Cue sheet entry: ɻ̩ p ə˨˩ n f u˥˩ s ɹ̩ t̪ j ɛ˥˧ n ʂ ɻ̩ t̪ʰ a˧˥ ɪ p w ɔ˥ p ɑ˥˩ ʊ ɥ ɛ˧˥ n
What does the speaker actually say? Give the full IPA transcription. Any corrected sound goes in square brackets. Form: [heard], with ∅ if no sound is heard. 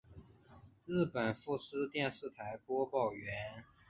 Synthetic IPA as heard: ɻ̩ p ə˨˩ n f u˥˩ s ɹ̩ t̪ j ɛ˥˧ n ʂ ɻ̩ t̪ʰ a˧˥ ɪ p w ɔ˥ p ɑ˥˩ ʊ ɥ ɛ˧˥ n